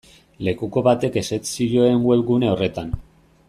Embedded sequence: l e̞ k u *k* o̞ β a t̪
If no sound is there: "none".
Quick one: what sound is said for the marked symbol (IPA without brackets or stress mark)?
k